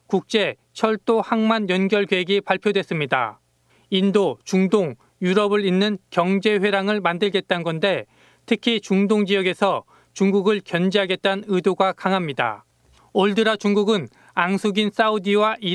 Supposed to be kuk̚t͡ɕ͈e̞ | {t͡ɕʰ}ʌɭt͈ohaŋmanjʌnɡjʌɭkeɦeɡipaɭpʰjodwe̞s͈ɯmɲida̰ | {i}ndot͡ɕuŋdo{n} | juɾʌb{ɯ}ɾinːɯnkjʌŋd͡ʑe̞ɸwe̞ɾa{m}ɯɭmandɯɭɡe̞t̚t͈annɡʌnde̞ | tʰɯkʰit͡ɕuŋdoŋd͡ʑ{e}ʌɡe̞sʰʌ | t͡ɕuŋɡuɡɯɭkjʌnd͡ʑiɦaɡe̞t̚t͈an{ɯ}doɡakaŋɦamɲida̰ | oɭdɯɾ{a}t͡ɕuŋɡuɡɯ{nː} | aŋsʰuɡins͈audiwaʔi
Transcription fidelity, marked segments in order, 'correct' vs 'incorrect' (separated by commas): correct, correct, incorrect, correct, incorrect, incorrect, correct, correct, incorrect